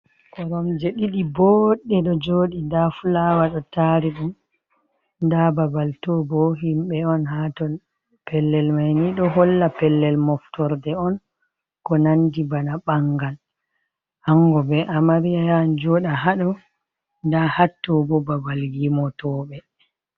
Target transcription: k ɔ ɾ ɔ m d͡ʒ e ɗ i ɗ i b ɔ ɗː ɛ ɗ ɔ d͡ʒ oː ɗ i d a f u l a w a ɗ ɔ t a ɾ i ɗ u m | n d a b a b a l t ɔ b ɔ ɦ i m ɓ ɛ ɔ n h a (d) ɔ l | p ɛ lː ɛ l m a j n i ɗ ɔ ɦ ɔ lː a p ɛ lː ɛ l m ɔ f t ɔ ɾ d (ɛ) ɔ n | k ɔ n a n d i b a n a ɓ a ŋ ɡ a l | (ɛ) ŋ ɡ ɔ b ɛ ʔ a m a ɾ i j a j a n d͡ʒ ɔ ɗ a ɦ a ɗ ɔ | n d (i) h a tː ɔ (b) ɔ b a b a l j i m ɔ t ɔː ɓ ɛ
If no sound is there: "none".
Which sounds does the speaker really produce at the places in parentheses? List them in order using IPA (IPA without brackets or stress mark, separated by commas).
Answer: t, ɛ, a, a, b